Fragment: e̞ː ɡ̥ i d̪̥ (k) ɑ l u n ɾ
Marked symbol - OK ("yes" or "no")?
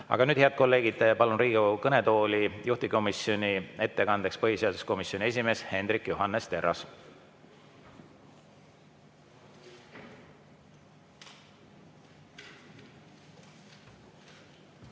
no